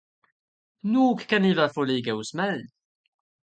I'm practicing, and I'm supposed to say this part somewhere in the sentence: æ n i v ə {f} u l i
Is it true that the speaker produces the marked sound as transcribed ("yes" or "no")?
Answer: yes